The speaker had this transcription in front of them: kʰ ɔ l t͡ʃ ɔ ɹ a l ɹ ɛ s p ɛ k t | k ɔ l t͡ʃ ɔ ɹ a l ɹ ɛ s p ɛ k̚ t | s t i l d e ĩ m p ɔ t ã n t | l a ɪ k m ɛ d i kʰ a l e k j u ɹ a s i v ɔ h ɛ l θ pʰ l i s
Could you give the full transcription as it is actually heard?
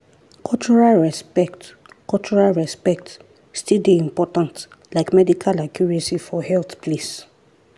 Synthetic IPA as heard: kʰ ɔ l t͡ʃ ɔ ɹ a l ɹ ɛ s p ɛ k t | k ɔ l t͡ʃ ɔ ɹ a l ɹ ɛ s p ɛ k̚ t | s t i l d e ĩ m p ɔ t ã n t | l a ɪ k m ɛ d i kʰ a l a k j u ɹ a s i f ɔ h ɛ l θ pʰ l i s